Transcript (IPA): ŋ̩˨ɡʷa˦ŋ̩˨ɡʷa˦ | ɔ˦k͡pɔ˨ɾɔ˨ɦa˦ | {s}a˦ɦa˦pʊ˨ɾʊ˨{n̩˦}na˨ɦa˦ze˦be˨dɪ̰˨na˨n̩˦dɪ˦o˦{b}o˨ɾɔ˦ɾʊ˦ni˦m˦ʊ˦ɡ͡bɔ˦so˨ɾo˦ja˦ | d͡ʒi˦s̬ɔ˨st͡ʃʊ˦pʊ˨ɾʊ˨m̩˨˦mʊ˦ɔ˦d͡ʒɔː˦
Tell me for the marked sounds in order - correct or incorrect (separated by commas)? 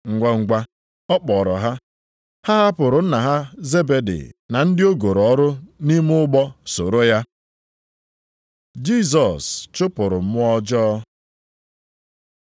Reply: incorrect, correct, incorrect